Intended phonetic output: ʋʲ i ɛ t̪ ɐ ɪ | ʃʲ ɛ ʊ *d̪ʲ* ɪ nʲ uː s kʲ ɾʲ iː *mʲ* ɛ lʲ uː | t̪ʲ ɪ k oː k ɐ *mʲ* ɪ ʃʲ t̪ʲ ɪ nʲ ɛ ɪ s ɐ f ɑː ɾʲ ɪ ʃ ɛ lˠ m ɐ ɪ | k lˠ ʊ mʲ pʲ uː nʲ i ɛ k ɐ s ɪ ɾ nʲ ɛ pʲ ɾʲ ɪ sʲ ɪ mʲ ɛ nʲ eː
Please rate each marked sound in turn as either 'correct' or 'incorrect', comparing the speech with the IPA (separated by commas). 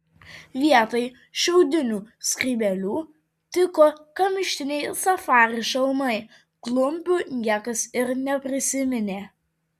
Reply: correct, incorrect, correct